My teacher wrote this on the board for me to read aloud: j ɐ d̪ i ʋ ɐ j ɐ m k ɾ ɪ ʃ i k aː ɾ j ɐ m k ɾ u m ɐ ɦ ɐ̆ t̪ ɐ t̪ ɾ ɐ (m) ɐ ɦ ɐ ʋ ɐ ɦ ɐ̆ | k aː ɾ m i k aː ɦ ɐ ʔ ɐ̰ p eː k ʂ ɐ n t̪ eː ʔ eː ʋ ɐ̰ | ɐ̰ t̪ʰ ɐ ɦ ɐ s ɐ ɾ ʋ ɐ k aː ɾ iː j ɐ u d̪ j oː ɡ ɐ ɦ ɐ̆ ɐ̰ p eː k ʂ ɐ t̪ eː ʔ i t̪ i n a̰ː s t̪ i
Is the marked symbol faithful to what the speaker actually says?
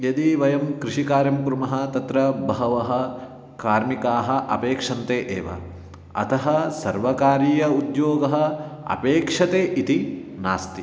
no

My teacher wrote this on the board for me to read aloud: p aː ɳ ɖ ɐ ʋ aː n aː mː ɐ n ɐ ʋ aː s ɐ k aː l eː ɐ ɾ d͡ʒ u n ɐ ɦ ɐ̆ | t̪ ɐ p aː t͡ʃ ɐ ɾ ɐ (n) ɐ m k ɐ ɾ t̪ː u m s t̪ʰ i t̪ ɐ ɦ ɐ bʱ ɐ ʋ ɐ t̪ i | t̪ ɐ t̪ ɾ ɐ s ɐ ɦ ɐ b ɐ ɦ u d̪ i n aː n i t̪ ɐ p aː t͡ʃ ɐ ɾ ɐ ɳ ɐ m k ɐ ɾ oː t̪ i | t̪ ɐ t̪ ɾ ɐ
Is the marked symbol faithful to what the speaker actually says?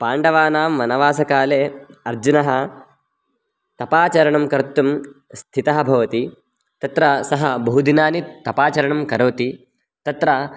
no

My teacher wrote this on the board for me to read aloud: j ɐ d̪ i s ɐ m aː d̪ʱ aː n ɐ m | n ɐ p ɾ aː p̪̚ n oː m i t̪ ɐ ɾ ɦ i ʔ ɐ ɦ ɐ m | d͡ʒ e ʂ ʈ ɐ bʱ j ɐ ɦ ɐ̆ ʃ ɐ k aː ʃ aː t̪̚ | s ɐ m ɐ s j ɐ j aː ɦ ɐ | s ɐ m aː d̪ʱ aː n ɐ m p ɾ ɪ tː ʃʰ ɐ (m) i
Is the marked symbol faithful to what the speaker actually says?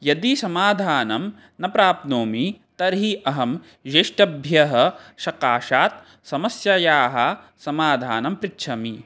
yes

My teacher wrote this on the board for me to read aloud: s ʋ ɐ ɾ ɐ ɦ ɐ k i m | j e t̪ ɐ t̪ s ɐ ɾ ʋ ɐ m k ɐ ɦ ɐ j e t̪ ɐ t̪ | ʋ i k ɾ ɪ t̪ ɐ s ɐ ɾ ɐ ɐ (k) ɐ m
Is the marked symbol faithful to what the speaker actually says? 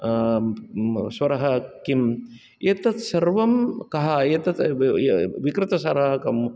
yes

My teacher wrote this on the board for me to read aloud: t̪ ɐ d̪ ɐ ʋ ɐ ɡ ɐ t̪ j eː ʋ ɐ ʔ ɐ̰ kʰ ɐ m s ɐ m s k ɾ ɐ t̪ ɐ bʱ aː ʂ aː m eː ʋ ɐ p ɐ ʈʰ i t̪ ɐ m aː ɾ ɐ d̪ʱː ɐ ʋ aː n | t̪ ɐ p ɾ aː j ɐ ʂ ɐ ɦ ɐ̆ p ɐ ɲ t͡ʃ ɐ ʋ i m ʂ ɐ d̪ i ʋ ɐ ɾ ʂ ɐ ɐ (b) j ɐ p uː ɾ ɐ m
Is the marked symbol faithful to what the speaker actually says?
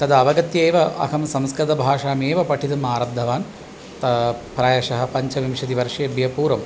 yes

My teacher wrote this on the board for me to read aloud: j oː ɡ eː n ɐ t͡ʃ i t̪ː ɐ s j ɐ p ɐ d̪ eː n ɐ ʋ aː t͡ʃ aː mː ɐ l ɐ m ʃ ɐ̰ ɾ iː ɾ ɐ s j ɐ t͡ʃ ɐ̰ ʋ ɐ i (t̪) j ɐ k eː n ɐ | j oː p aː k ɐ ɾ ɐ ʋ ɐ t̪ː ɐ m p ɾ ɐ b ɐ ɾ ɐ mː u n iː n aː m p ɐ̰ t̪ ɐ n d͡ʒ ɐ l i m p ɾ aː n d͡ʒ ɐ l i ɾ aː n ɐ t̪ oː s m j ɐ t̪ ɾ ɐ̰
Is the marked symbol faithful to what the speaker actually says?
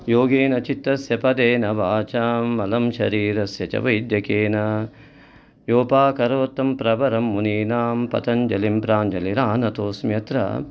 no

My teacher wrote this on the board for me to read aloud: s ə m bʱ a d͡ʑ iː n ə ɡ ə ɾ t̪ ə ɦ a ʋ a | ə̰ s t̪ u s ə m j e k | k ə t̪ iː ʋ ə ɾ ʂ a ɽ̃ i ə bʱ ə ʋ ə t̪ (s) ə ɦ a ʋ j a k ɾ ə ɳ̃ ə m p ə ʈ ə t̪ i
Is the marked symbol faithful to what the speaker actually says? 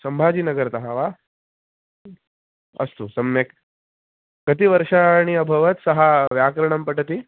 yes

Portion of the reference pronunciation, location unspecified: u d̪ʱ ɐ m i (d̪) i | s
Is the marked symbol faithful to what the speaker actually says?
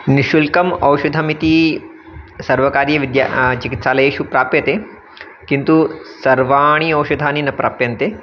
no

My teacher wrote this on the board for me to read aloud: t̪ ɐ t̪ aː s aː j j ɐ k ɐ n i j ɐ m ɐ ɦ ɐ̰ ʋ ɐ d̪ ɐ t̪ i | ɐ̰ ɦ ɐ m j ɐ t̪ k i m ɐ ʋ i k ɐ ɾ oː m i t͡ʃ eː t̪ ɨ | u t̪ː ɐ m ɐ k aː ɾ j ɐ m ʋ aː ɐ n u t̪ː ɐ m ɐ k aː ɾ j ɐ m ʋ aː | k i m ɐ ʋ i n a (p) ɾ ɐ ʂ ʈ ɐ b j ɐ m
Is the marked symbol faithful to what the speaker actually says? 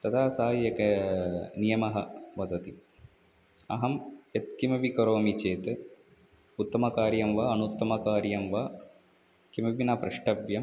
yes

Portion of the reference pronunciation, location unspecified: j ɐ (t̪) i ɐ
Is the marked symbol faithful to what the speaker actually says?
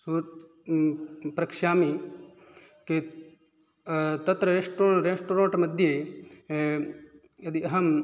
no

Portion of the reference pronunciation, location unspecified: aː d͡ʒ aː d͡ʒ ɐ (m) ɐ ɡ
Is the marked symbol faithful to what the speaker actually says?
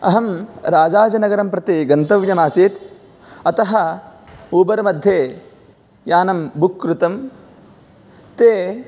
no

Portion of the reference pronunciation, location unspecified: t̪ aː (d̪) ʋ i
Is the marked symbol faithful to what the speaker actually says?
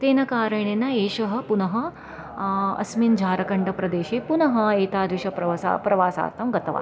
yes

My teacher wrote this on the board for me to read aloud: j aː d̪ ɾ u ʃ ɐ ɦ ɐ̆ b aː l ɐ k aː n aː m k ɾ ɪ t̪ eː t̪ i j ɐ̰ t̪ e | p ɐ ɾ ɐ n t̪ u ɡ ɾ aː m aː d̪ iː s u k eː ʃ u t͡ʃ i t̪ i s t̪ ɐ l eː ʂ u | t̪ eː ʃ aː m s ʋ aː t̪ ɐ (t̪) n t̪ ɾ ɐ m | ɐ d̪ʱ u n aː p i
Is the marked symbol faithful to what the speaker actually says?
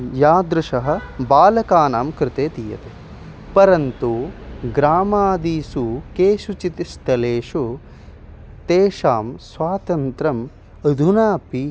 no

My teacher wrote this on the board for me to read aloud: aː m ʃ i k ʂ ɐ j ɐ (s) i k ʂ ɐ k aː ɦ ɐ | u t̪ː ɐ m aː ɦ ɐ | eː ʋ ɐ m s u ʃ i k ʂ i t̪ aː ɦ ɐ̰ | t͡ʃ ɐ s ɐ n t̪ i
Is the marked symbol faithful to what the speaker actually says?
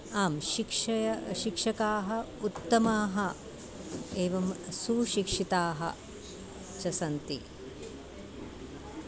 no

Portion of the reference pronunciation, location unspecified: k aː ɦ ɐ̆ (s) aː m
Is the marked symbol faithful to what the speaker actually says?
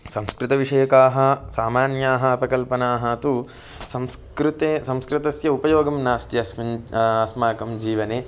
yes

